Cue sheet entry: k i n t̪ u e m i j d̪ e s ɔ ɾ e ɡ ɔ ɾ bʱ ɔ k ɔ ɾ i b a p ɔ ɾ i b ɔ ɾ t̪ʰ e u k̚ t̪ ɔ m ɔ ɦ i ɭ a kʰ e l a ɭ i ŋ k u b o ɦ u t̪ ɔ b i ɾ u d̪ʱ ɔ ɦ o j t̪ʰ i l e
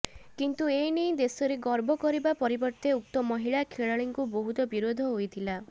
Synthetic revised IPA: k i n t̪ u e n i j d̪ e s ɔ ɾ e ɡ ɔ ɾ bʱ ɔ k ɔ ɾ i b a p ɔ ɾ i b ɔ ɾ t̪ e u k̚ t̪ ɔ m ɔ ɦ i ɭ a kʰ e ɭ a ɭ i ŋ k u b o ɦ u t̪ ɔ b i ɾ o d̪ʱ ɔ ɦ o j t̪ʰ i l a